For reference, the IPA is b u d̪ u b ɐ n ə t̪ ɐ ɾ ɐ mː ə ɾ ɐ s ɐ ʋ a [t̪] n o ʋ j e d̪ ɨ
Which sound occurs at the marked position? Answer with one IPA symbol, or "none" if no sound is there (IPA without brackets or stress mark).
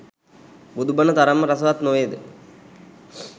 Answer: t̪